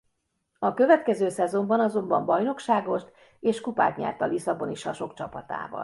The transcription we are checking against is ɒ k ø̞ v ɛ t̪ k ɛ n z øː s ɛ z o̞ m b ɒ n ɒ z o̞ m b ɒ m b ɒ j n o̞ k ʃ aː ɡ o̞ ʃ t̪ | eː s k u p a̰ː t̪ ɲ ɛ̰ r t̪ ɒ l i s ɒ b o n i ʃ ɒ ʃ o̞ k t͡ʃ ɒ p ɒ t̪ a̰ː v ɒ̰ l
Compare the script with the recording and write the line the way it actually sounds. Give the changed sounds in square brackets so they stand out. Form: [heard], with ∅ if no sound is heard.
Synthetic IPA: ɒ k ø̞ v ɛ t̪ k ɛ [∅] z øː s ɛ z o̞ m b ɒ n ɒ z o̞ m b ɒ m b ɒ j n o̞ k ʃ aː ɡ o̞ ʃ t̪ | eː [ʃ] k u p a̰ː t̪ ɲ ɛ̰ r t̪ ɒ l i s ɒ b o n i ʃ ɒ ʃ o̞ k t͡ʃ ɒ p ɒ t̪ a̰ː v ɒ̰ l